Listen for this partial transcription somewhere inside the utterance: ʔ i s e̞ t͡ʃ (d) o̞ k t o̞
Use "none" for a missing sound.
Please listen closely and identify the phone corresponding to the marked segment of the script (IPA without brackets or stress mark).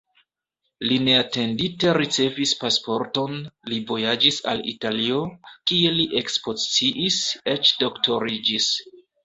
d